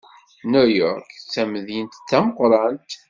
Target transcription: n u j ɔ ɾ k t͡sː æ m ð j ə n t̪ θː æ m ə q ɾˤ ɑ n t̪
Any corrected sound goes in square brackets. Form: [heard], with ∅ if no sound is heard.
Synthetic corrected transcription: n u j ɔ ɾ k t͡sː æ m ð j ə n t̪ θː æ m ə q ɾˤ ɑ n t̪